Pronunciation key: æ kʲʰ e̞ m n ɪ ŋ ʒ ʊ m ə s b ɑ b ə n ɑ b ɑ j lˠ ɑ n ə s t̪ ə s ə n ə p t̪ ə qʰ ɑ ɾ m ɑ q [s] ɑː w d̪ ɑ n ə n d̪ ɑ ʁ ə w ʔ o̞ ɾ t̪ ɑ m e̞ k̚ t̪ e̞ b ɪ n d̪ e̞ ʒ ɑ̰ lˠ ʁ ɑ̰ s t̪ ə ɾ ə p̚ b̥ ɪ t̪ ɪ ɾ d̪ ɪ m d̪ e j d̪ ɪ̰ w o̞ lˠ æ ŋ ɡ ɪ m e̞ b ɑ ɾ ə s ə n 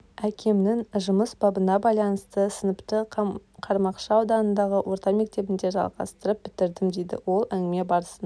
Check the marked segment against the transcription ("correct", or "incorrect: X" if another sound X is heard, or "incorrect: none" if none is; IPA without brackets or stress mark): incorrect: ʃ